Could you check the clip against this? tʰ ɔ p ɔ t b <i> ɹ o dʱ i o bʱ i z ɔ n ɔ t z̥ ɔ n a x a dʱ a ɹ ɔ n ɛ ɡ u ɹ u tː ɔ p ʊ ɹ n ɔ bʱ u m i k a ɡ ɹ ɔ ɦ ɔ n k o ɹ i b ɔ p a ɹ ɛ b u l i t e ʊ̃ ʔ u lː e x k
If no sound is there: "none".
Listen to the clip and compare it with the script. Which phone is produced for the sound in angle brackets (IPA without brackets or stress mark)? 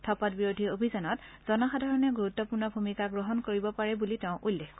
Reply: i